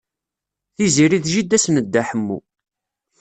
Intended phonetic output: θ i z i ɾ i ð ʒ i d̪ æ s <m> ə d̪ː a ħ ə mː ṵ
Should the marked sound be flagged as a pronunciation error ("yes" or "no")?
yes